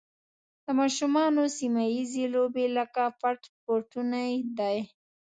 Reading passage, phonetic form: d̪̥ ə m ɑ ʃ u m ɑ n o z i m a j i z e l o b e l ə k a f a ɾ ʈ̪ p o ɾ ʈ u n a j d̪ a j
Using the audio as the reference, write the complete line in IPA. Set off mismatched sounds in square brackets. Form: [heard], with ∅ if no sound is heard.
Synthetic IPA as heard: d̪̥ ə m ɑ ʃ u m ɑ n o [s] i m a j i z e l o b e l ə k a f a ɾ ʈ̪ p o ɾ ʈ u n a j d̪ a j